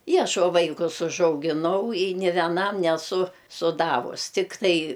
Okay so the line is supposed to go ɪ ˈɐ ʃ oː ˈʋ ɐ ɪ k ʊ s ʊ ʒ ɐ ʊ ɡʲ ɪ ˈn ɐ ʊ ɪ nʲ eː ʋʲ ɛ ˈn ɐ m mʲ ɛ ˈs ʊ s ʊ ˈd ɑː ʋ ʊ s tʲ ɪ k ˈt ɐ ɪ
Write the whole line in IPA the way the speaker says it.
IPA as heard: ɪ ˈɐ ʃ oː ˈʋ ɐ ɪ k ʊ s ʊ ʒ ɐ ʊ ɡʲ ɪ ˈn ɐ ʊ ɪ nʲ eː ʋʲ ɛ ˈn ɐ m nʲ ɛ ˈs ʊ s ʊ ˈd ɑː ʋ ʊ s tʲ ɪ k ˈt ɐ ɪ